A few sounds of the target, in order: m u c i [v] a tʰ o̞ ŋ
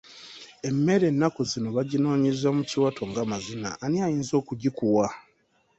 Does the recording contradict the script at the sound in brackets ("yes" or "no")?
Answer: yes